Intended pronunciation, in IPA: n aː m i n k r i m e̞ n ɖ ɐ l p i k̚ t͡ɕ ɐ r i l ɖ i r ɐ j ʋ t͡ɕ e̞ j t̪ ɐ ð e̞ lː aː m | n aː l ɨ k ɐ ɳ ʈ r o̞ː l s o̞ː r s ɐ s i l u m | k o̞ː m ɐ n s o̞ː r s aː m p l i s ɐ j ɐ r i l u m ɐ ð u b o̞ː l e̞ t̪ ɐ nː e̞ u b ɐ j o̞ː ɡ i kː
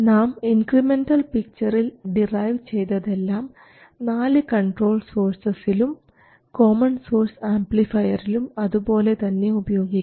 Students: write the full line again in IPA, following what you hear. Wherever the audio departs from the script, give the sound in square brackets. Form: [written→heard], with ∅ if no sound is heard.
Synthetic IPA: n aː m i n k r i m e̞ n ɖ ɐ l p i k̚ t͡ɕ ɐ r i l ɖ i r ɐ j ʋ t͡ɕ e̞ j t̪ ɐ ð e̞ lː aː m | n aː l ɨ k ɐ ɳ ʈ r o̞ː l s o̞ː r s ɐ s i l u m | k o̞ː m ɐ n s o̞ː r s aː m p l i [s→f] ɐ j ɐ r i l u m ɐ ð u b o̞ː l e̞ t̪ ɐ nː e̞ u b ɐ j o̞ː ɡ i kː